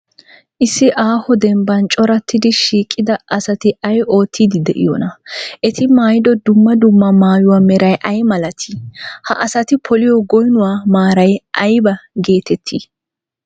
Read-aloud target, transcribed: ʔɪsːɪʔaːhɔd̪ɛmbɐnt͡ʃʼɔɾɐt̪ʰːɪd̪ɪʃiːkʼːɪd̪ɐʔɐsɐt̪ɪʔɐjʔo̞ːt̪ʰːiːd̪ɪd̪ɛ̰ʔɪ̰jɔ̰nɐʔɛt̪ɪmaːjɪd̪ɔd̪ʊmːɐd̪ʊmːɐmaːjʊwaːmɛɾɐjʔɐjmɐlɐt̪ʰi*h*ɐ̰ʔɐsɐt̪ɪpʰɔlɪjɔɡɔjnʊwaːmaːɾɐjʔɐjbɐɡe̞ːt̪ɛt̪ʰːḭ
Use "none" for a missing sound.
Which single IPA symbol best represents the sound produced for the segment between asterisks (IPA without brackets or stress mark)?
h